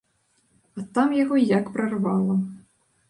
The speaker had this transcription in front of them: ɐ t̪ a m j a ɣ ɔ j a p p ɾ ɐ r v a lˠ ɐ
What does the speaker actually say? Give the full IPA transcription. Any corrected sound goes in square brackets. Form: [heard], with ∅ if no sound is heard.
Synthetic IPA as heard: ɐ t̪ a m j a ɣ ɔ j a [k] p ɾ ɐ r v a lˠ ɐ